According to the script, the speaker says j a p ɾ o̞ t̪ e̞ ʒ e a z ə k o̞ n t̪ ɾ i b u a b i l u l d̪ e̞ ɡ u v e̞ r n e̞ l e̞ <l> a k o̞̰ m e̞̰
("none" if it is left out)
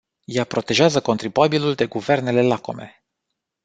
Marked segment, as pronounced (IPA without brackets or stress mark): l